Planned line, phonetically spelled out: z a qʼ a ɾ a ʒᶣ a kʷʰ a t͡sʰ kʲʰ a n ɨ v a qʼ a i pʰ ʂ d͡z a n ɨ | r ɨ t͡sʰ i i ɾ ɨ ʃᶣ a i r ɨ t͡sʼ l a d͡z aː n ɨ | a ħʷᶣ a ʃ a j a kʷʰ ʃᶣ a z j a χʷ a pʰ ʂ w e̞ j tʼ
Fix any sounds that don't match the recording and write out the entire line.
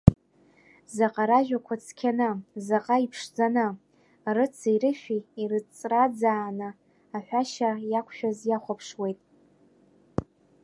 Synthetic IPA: z a qʼ a ɾ a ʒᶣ a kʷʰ a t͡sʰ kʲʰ a n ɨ z a qʼ a i pʰ ʂ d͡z a n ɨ | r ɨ t͡sʰ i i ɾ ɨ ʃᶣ i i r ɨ t͡sʼ r a d͡z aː n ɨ | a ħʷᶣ a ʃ a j a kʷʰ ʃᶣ a z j a χʷ a pʰ ʂ w e̞ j tʼ